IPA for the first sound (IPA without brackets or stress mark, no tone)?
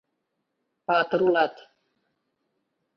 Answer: p